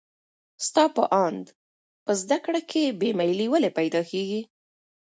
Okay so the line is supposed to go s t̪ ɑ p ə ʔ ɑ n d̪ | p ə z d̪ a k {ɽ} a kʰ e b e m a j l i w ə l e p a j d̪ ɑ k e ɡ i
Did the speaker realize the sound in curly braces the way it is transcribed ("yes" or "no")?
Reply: yes